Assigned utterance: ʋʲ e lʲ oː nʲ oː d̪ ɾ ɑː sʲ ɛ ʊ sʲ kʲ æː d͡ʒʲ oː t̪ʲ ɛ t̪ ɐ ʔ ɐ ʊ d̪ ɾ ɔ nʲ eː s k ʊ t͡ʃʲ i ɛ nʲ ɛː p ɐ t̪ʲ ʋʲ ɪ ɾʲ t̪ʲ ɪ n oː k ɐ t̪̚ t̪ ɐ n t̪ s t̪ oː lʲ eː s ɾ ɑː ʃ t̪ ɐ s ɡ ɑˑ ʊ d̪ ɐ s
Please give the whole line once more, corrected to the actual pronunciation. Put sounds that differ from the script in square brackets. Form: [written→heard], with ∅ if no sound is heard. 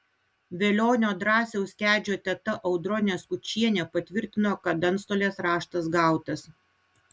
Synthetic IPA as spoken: ʋʲ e lʲ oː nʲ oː d̪ ɾ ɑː sʲ ɛ ʊ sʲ kʲ æː d͡ʒʲ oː t̪ʲ ɛ t̪ ɐ ʔ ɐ ʊ d̪ ɾ ɔ nʲ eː s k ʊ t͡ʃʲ i ɛ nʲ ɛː p ɐ t̪ʲ ʋʲ ɪ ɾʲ t̪ʲ ɪ n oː k ɐ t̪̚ [t̪→d̪] ɐ n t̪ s t̪ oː lʲ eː s ɾ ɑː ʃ t̪ ɐ s ɡ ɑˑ ʊ [d̪→t̪] ɐ s